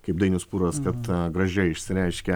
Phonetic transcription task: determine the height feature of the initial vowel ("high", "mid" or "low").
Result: low